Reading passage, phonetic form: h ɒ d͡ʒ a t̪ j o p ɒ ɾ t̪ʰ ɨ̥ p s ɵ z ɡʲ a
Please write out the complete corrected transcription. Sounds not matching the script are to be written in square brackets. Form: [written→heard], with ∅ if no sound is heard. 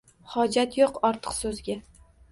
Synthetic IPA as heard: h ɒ d͡ʒ a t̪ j o [p→q] ɒ ɾ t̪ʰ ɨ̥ [p→q] s ɵ z ɡʲ a